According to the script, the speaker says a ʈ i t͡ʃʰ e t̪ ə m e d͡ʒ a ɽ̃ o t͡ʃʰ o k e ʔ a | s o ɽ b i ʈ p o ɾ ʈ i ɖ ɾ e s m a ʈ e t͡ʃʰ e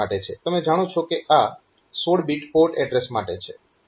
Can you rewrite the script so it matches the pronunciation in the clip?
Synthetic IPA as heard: a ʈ e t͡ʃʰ e t̪ ə m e d͡ʒ a ɽ̃ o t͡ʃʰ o k e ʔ a | s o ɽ b i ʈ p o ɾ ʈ ɛ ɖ ɾ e s m a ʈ e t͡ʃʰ e